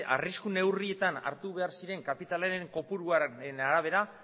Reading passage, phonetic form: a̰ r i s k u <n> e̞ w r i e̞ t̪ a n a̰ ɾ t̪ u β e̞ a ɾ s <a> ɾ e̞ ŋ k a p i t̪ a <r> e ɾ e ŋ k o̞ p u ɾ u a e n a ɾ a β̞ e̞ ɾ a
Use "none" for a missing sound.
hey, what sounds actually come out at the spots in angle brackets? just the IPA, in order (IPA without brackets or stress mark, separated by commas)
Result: n, i, l